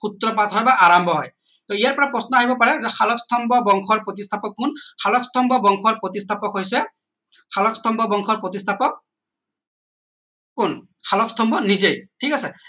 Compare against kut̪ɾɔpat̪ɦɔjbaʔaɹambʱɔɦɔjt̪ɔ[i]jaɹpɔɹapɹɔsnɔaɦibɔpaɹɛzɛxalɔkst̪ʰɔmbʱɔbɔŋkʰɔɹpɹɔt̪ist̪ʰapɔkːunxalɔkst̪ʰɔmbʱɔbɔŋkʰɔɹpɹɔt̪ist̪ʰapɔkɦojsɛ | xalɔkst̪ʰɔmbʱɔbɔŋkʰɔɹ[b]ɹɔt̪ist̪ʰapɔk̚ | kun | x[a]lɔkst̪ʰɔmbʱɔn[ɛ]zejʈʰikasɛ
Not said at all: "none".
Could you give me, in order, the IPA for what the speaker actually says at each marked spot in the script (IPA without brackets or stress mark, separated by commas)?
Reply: i, p, a, i